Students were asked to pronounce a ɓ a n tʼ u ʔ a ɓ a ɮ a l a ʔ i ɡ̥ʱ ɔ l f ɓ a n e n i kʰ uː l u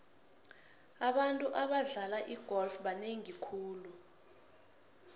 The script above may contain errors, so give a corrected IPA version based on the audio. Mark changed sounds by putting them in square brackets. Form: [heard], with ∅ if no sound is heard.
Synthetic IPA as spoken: a ɓ a n tʼ u ʔ a ɓ a ɮ a l a ʔ i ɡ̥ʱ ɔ l f ɓ a n e [ŋ] i kʰ uː l u